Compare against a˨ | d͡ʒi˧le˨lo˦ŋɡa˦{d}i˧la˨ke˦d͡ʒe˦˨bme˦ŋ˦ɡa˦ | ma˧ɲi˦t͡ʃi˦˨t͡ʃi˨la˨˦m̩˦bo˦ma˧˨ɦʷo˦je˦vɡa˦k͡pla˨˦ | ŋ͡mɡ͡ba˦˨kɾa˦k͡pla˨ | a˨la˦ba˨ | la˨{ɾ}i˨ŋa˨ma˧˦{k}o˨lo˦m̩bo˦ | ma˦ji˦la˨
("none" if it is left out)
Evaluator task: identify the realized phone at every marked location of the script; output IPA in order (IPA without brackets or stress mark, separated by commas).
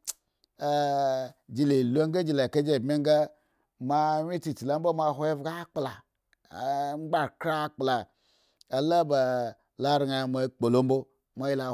d͡ʒ, ɾ, k͡p